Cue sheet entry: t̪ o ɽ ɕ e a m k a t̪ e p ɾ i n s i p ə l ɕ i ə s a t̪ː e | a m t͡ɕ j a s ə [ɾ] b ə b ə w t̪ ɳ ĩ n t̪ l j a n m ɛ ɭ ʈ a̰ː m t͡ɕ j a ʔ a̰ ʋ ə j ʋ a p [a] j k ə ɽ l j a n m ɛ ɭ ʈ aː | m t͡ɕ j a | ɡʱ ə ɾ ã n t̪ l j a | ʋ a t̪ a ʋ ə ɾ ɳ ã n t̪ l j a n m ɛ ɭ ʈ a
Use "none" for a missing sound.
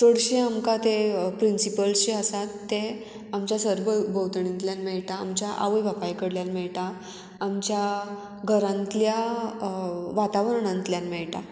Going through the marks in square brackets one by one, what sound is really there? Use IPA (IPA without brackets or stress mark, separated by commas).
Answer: ɾ, a